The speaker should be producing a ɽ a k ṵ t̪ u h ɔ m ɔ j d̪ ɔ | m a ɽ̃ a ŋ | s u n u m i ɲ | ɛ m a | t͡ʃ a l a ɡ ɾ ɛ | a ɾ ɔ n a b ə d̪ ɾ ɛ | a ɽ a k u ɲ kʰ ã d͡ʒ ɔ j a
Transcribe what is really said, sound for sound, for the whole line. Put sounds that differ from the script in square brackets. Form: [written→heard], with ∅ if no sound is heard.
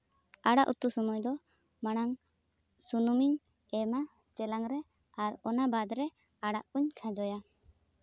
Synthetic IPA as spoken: a ɽ a [k→ʔ] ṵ t̪ u [h→s] ɔ m ɔ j d̪ ɔ | m a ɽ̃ a ŋ | s u n u m i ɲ | ɛ m a | t͡ʃ [a→ɛ] l a [ɡ→ŋ] ɾ ɛ | a ɾ ɔ n a b [ə→a] d̪ ɾ ɛ | a ɽ a [k→ʔ] u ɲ kʰ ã d͡ʒ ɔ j a

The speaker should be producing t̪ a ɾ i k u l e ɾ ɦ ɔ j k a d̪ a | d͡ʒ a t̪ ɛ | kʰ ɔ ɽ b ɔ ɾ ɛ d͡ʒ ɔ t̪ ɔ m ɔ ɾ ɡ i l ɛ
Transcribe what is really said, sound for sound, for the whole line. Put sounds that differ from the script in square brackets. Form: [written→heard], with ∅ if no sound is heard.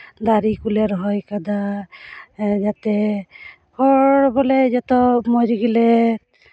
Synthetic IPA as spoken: [t̪→d̪] a ɾ i k u l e ɾ ɦ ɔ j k a d̪ a | d͡ʒ a t̪ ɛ | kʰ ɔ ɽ b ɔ [ɾ→l] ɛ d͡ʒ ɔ t̪ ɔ m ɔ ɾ ɡ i l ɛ

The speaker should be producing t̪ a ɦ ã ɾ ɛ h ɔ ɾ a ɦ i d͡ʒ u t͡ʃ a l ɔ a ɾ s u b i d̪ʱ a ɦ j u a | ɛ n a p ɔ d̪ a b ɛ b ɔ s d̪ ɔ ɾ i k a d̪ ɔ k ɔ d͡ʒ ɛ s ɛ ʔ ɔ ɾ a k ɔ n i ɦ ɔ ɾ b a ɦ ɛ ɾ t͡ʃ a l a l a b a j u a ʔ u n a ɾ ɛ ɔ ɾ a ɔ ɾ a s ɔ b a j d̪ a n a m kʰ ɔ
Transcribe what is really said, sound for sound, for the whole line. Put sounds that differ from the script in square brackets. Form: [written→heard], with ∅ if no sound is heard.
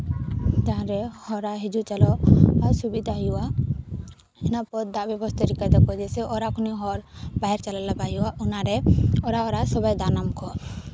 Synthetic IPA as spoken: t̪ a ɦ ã ɾ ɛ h ɔ ɾ a ɦ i d͡ʒ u t͡ʃ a l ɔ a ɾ s u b i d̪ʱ a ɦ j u a | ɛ n a p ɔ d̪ a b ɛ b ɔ s [d̪→t̪] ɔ ɾ i k a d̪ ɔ k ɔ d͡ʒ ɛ s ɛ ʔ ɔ ɾ a k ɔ n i ɦ ɔ ɾ b a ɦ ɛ ɾ t͡ʃ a l a l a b a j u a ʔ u n a ɾ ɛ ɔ ɾ a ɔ ɾ a s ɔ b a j d̪ a n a m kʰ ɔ

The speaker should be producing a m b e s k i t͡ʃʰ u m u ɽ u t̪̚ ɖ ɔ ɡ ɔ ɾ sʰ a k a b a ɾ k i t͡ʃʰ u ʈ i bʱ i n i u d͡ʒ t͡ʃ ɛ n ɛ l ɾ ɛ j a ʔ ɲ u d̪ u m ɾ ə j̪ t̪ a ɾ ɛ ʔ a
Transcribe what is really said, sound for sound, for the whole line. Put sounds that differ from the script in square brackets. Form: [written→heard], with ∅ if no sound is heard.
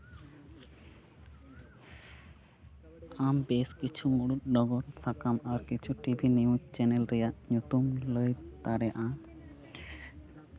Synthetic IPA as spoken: a m b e s k i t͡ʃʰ u m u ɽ u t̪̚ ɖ ɔ ɡ ɔ ɾ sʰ a k a [b→m] a ɾ k i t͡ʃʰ u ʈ i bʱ i n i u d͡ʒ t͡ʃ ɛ n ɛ l ɾ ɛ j a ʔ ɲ u [d̪→t̪] u m [ɾ→l] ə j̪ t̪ a ɾ ɛ ʔ a

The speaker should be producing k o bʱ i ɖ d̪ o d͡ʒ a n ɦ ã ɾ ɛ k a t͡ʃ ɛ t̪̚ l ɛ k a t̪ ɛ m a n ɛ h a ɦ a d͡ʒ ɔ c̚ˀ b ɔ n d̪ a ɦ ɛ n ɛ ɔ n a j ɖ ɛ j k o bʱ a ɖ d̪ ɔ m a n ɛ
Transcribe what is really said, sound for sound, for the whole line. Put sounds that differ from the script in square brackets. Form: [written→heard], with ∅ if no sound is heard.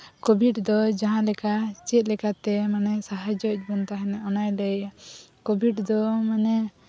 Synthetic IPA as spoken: k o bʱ i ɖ d̪ [o→ɔ] d͡ʒ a [n→∅] ɦ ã [ɾ→l] ɛ k a t͡ʃ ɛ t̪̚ l ɛ k a t̪ ɛ m a n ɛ [h→s] a ɦ a d͡ʒ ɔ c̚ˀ b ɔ n [d̪→t̪] a ɦ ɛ n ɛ ɔ n a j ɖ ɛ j k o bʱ [a→i] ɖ d̪ ɔ m a n ɛ

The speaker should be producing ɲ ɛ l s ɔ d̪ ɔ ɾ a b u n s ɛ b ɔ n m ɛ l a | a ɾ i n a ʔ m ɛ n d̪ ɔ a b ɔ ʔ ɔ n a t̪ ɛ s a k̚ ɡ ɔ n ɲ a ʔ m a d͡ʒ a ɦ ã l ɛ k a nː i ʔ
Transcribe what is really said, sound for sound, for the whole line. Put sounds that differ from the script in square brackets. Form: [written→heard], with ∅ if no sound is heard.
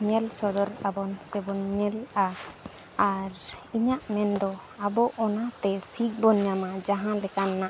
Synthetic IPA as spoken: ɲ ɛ l s ɔ d̪ ɔ ɾ a b [u→ɔ] n s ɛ b ɔ n [m→ɲ] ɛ l a | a ɾ i [n→ɲ] a ʔ m ɛ n d̪ ɔ a b ɔ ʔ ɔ n a t̪ ɛ s [a→i] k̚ [ɡ→b] ɔ n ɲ a [ʔ→∅] m a d͡ʒ a ɦ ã l ɛ k a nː [i→a] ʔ

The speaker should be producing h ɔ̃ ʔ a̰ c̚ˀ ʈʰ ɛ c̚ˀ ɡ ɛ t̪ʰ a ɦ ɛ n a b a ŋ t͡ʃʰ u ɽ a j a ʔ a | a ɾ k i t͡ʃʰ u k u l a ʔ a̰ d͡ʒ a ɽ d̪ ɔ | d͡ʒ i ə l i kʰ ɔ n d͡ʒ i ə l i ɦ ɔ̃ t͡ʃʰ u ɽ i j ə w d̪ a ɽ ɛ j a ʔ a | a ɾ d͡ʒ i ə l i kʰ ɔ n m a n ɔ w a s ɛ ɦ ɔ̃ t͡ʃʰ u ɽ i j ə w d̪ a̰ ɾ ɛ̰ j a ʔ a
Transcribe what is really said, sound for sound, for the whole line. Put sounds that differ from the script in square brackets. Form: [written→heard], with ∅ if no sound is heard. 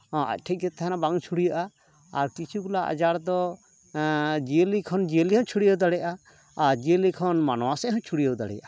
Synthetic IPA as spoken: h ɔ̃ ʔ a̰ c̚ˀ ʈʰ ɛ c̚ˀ ɡ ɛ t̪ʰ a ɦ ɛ n a b a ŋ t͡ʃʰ u ɽ [a→i] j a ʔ a | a ɾ k i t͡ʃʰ u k u l a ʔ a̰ d͡ʒ a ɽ d̪ ɔ | d͡ʒ i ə l i kʰ ɔ n d͡ʒ i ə l i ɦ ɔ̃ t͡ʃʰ u ɽ i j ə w d̪ a ɽ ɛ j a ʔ a | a ɾ d͡ʒ i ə l i kʰ ɔ n m a n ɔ w a s ɛ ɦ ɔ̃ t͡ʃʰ u ɽ i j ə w d̪ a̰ [ɾ→ɽ] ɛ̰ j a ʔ a

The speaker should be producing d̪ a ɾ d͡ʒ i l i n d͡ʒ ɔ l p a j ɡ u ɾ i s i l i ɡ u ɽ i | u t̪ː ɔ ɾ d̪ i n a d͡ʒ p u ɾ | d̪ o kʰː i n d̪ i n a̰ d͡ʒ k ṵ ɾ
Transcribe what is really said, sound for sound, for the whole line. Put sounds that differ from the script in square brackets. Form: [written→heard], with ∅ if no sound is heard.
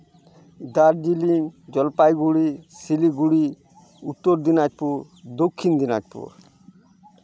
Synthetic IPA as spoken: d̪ a ɾ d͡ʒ i l i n d͡ʒ ɔ l p a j ɡ u [ɾ→ɽ] i s i l i ɡ u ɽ i | u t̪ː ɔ ɾ d̪ i n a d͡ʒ p u ɾ | d̪ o kʰː i n d̪ i n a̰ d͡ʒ [k→p] ṵ ɾ

